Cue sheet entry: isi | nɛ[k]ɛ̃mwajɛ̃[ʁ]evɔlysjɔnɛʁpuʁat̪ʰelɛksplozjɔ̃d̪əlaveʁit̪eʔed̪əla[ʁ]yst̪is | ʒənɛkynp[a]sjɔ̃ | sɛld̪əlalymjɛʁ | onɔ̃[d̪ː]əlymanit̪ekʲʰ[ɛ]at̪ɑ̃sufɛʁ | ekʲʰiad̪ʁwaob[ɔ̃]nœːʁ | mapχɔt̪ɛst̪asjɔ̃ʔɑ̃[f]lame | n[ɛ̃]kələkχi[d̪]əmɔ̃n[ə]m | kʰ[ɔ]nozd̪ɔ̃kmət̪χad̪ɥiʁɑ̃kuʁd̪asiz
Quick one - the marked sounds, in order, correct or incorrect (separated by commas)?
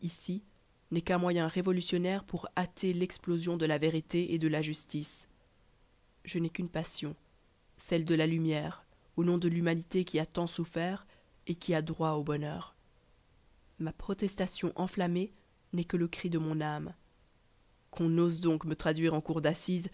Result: correct, correct, incorrect, correct, incorrect, incorrect, incorrect, correct, incorrect, correct, incorrect, incorrect